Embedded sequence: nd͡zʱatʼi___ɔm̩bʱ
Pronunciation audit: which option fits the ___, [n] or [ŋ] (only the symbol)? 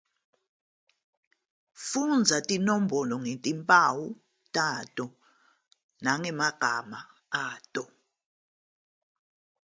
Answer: n